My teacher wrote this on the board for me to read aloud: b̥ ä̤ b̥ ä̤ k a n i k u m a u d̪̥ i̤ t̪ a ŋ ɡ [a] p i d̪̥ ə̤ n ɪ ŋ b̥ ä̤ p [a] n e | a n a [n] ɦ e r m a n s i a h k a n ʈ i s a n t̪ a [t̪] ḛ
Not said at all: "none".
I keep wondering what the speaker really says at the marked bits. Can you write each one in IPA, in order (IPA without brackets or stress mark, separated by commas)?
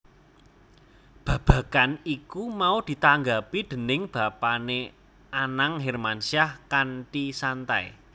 a, a, ŋ, none